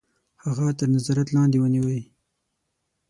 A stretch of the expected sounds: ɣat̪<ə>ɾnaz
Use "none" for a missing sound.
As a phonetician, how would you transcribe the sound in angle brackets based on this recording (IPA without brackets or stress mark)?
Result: ə